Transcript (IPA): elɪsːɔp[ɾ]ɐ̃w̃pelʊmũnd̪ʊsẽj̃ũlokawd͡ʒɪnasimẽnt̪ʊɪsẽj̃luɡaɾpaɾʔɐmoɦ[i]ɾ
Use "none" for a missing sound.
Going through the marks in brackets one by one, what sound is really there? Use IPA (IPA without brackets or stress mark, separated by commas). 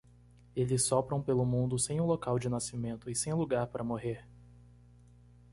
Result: ɾ, e